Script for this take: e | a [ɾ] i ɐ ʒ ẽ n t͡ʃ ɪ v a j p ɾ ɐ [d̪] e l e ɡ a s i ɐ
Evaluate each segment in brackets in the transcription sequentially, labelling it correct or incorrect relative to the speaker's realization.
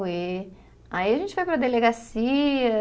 incorrect, correct

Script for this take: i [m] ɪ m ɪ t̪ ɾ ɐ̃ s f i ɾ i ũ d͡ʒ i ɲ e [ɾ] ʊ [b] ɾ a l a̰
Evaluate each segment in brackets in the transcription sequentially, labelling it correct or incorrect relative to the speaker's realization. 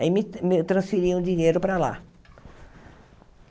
correct, correct, incorrect

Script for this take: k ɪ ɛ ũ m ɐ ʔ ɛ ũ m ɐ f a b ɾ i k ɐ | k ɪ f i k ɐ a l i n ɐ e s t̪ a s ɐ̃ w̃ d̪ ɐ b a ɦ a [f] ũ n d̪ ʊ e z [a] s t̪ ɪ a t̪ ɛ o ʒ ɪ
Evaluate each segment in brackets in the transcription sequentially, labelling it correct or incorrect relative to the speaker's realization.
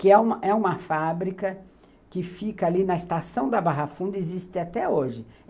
correct, incorrect

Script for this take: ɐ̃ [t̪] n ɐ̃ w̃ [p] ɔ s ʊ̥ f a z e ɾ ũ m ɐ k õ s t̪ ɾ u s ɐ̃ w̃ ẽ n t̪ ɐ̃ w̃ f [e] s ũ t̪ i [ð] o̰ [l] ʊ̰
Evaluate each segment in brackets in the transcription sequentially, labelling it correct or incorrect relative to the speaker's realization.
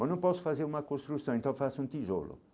incorrect, correct, incorrect, incorrect, correct

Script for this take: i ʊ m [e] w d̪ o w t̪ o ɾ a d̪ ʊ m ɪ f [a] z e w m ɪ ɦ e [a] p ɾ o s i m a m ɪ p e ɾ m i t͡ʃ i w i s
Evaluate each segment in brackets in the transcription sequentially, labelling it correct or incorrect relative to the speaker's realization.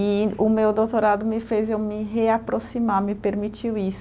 correct, incorrect, correct

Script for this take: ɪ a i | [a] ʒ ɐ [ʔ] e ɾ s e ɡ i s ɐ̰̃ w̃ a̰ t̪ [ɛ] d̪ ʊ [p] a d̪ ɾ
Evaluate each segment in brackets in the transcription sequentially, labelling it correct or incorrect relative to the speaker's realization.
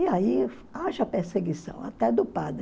correct, incorrect, correct, correct

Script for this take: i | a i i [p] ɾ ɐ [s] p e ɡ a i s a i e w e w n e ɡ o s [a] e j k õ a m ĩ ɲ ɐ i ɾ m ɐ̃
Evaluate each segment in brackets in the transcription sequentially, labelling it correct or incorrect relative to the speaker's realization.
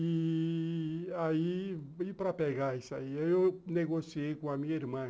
correct, incorrect, incorrect

